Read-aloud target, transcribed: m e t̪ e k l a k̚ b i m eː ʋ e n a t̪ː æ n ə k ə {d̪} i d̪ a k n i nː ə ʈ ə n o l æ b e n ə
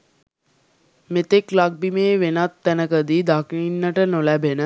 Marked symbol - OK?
yes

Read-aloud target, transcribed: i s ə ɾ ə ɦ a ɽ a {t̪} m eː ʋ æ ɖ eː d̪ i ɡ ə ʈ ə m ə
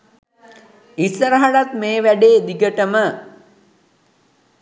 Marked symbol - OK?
yes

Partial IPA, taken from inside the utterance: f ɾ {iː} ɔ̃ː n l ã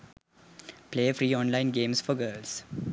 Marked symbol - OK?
yes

